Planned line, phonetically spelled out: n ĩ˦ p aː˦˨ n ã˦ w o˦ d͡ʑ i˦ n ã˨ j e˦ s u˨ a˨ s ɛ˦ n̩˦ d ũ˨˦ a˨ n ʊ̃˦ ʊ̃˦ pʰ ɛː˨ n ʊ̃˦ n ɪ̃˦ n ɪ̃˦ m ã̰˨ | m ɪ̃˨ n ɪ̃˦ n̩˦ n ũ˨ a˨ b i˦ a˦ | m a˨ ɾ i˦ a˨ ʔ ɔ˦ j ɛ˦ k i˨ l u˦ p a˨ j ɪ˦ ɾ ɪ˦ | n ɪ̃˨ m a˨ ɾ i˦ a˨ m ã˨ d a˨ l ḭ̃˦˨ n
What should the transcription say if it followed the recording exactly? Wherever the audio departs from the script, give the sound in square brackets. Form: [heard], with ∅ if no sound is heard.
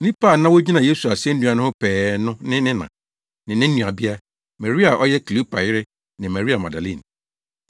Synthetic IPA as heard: n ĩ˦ p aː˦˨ n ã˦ w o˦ d͡ʑ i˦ n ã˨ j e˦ s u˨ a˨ s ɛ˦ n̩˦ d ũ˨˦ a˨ n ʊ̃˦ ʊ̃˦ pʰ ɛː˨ n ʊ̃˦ n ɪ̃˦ n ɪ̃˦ [n] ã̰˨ | [n] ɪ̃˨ n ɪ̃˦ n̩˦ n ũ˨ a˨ b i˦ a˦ | m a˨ ɾ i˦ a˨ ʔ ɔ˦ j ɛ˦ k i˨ l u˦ p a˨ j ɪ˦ ɾ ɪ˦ | n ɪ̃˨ m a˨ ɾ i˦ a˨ m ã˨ d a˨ l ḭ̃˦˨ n